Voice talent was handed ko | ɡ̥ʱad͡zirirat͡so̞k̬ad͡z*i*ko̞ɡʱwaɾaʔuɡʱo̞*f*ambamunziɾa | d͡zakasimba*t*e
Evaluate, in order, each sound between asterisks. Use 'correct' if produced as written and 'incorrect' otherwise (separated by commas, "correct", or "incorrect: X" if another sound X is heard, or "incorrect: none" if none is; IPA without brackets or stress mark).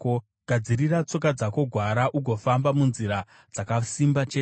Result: incorrect: a, correct, incorrect: t͡ʃ